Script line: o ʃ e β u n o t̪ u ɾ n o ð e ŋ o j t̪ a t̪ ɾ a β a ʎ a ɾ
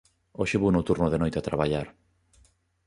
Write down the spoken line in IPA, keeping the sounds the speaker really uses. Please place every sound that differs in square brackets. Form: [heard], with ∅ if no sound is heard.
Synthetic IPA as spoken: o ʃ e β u n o t̪ u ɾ n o ð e [n] o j t̪ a t̪ ɾ a β a ʎ a ɾ